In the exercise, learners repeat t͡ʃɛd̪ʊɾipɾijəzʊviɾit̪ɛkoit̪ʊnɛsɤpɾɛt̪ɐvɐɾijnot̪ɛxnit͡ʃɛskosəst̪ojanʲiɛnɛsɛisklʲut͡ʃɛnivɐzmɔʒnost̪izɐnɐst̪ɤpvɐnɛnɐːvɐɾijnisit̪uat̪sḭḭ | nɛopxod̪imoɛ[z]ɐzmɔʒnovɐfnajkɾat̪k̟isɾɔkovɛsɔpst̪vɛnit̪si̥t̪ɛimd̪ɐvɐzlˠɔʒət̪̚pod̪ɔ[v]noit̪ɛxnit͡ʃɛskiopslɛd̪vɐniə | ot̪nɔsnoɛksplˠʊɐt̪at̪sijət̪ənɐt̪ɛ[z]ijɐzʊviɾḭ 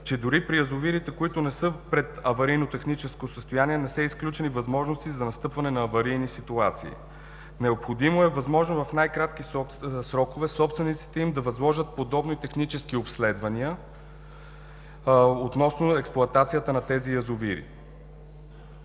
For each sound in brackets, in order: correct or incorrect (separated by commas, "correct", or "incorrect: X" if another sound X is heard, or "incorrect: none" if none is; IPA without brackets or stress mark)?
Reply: incorrect: v, incorrect: b, correct